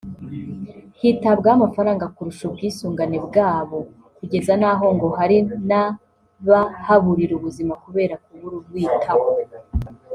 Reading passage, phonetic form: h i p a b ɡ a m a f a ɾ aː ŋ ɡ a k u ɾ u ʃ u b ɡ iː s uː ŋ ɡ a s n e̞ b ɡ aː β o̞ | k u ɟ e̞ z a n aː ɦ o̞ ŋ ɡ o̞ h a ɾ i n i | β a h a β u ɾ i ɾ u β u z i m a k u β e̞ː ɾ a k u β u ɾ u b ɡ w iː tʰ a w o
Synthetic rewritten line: h i t a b ɡ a m a f a ɾ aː ŋ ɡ a k u ɾ u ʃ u b ɡ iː s uː ŋ ɡ a n e̞ b ɡ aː β o̞ | k u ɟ e̞ z a n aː ɦ o̞ ŋ ɡ o̞ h a ɾ i n a | β a h a β u ɾ i ɾ u β u z i m a k u β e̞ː ɾ a k u β u ɾ u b ɡ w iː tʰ a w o